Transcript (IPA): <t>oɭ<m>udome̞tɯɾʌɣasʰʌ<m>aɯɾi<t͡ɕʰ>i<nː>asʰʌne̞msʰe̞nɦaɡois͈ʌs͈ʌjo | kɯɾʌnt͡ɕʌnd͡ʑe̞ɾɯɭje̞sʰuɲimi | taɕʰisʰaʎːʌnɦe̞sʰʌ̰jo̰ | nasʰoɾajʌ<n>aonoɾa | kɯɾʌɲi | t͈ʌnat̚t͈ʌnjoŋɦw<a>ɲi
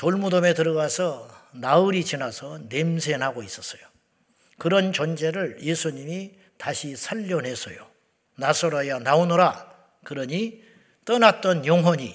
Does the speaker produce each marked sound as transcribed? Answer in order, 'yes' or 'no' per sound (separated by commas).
yes, yes, no, no, no, yes, no